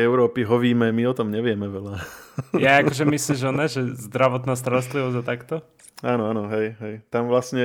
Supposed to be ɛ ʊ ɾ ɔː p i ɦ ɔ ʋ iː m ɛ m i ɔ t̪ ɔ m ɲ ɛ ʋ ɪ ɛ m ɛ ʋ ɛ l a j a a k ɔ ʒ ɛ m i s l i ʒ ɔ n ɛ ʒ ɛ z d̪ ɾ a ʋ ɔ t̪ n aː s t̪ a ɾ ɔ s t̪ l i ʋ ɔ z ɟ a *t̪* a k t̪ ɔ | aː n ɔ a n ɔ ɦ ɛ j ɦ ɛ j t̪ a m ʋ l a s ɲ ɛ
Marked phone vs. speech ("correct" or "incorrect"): correct